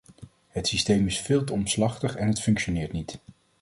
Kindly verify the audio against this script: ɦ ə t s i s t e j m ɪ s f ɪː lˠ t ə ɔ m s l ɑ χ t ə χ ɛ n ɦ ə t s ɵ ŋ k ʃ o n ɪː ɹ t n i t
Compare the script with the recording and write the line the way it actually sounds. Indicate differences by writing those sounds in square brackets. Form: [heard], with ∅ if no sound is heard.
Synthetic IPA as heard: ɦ ə t s i s t e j m ɪ s f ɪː lˠ t ə ɔ m s l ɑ χ t ə χ ɛ n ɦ ə t [f] ɵ ŋ k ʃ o n ɪː ɹ t n i t

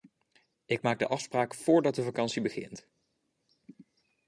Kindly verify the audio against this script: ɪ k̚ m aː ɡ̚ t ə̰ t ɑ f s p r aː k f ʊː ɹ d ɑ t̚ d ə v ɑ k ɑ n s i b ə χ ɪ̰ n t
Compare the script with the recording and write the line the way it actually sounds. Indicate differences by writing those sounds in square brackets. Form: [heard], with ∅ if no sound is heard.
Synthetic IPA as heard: ɪ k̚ m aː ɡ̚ [d] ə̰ [ʔ] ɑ f s p r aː k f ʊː ɹ d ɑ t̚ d ə v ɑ k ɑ n s i b ə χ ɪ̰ n t

